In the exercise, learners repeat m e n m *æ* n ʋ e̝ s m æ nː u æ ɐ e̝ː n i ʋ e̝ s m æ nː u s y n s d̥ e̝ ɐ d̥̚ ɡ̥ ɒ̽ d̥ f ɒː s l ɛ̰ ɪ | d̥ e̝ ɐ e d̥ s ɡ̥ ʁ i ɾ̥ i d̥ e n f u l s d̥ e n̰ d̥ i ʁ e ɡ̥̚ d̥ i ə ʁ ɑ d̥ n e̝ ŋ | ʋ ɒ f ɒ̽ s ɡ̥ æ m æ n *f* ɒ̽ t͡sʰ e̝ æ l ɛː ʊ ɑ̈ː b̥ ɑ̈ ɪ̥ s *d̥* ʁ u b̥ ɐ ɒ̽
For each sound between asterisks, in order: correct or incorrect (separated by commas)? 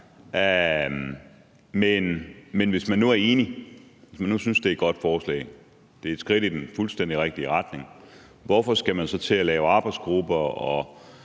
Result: incorrect, incorrect, incorrect